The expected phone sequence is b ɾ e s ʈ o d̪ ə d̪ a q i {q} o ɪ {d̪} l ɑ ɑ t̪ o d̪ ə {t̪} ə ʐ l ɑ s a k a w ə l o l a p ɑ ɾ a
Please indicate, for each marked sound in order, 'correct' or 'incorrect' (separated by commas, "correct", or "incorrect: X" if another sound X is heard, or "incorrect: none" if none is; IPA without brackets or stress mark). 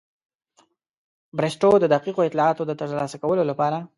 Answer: correct, incorrect: t̪, correct